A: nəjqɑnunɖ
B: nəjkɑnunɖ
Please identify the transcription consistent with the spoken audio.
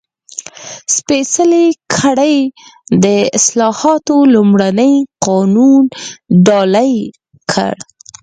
A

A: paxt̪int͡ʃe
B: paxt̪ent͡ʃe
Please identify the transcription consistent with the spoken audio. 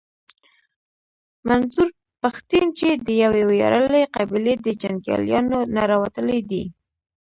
A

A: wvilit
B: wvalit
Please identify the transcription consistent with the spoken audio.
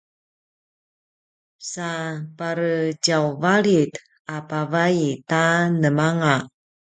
B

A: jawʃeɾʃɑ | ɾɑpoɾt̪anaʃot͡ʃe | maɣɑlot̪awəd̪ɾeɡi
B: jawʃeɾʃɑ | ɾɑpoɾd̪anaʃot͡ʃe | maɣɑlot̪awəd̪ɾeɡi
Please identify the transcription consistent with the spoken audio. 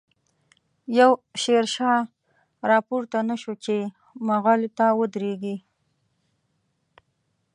A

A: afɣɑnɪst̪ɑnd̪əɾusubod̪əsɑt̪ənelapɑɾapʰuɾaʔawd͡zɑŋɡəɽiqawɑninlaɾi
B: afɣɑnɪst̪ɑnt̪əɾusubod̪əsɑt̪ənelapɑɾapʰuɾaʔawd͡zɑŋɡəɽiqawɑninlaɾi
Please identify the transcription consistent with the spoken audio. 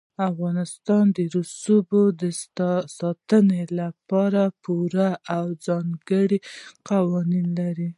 A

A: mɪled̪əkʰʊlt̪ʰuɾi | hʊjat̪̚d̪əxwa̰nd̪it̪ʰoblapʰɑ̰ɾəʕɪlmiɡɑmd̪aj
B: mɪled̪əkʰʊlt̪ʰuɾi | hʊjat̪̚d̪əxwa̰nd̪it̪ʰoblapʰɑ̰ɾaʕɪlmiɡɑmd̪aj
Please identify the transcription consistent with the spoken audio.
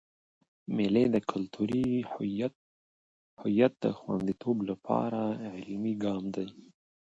B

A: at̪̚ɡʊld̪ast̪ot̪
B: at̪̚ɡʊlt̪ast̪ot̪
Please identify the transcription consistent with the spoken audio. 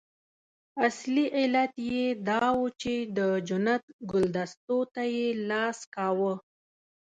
A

